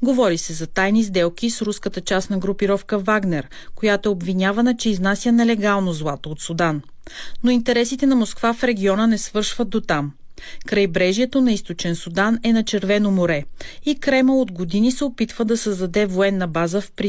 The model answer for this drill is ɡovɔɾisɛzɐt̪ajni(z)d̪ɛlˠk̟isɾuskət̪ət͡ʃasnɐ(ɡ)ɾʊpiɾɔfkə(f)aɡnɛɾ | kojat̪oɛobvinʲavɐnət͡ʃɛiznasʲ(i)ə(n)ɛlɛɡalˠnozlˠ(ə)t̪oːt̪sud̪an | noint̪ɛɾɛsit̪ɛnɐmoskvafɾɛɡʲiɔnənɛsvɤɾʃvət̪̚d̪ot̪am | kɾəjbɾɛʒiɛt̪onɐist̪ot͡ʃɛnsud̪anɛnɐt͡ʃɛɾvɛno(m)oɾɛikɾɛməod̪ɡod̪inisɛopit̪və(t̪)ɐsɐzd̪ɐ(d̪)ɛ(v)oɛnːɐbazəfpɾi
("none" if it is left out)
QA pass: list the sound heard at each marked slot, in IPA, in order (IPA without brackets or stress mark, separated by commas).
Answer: z, ɡ, v, j, n, a, m, d̪, d̪, v